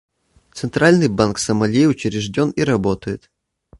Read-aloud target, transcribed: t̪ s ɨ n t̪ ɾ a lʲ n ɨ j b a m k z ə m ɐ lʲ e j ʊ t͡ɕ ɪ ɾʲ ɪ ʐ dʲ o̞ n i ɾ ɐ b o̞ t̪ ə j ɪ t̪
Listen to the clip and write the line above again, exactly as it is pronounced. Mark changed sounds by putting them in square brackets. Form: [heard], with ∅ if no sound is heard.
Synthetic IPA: t̪ s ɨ n t̪ ɾ a lʲ n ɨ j b a [n] k [s] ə m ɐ lʲ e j ʊ t͡ɕ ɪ ɾʲ ɪ ʐ dʲ o̞ n i ɾ ɐ b o̞ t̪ ə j ɪ t̪